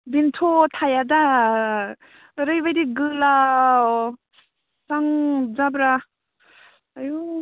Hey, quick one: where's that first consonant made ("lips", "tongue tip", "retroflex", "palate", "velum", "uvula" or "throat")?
lips